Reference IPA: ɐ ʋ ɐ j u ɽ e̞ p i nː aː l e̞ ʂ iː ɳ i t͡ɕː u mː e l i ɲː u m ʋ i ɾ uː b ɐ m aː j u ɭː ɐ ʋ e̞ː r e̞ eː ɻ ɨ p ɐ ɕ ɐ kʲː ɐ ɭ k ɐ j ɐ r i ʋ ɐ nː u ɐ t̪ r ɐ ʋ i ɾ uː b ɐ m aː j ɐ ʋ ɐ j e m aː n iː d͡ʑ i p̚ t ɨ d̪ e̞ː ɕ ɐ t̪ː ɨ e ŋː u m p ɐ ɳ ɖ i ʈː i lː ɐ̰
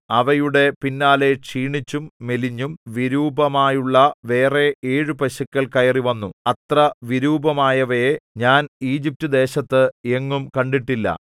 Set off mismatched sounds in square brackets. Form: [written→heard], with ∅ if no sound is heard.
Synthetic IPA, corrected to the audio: ɐ ʋ ɐ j u ɽ e̞ p i nː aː l e̞ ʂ iː ɳ i t͡ɕː u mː e l i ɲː u m ʋ i ɾ uː b ɐ m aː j u ɭː ɐ ʋ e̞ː r e̞ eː ɻ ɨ p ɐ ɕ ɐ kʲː ɐ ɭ k ɐ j ɐ r i ʋ ɐ nː u ɐ t̪ r ɐ ʋ i ɾ uː b ɐ m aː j ɐ ʋ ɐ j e [m→ɲ] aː n iː d͡ʑ i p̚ t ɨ d̪ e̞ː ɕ ɐ t̪ː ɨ e ŋː u m [p→k] ɐ ɳ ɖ i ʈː i lː ɐ̰

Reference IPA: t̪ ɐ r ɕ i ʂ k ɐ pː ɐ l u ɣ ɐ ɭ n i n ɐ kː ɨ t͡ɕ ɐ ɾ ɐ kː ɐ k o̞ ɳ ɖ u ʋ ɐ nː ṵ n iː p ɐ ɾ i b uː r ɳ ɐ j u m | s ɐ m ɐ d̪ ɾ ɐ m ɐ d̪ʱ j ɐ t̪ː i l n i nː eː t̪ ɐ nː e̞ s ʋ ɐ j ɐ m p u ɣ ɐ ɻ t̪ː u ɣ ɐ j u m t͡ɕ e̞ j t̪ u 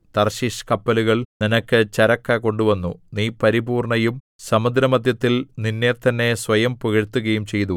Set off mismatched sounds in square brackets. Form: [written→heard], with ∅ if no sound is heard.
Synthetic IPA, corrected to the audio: t̪ ɐ r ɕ i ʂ k ɐ pː ɐ l u ɣ ɐ ɭ n i n ɐ kː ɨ t͡ɕ ɐ ɾ ɐ kː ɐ k o̞ ɳ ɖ u ʋ ɐ nː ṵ n iː p ɐ ɾ i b uː r ɳ ɐ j u m | s ɐ m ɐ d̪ ɾ ɐ m ɐ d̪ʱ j ɐ t̪ː i l n i nː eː t̪ ɐ nː e̞ s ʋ ɐ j ɐ m p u ɣ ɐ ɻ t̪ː u ɣ ɐ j u m t͡ɕ e̞ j t̪ u

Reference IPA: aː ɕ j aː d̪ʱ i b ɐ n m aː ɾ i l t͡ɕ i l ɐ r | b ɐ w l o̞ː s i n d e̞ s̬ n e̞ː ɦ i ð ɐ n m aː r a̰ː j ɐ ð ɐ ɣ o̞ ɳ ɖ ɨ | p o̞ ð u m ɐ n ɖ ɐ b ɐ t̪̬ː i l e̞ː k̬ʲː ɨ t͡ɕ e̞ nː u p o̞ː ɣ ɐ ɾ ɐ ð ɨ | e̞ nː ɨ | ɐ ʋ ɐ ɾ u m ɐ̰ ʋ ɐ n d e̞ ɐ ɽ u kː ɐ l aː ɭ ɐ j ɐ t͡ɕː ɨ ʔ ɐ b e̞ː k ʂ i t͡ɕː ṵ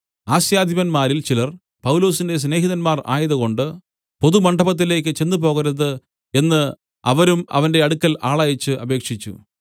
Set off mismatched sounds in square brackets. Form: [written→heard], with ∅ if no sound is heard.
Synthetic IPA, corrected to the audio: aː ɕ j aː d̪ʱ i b ɐ n m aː ɾ i l t͡ɕ i l ɐ r | [b→p] ɐ w l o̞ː s i n d e̞ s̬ n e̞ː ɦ i ð ɐ n m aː r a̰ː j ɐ ð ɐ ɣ o̞ ɳ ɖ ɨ | p o̞ ð u m ɐ [n→ɳ] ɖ ɐ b ɐ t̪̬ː i l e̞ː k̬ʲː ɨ t͡ɕ e̞ nː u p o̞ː ɣ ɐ ɾ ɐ ð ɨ | e̞ nː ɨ | ɐ ʋ ɐ ɾ u m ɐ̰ ʋ ɐ n d e̞ ɐ ɽ u kː ɐ l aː ɭ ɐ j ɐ t͡ɕː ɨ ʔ ɐ b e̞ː k ʂ i t͡ɕː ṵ

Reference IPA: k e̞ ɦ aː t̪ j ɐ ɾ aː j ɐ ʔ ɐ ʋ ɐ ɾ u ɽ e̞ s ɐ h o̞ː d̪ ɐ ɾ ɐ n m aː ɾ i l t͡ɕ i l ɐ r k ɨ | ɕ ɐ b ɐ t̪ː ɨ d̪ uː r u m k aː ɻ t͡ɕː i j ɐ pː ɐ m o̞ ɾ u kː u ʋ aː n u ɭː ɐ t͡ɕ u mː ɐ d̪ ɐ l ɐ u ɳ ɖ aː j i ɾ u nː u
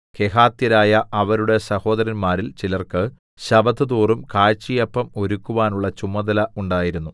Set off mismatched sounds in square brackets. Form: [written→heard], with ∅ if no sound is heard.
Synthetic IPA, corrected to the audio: k e̞ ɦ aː t̪ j ɐ ɾ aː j ɐ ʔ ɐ ʋ ɐ ɾ u ɽ e̞ s ɐ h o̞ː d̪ ɐ ɾ ɐ n m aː ɾ i l t͡ɕ i l ɐ r k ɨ | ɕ ɐ b ɐ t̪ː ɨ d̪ uː r u m k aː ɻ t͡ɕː i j ɐ pː ɐ m o̞ ɾ u kː u ʋ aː n u ɭː ɐ t͡ɕ u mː ɐ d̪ ɐ l ɐ u ɳ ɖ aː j i ɾ u nː u

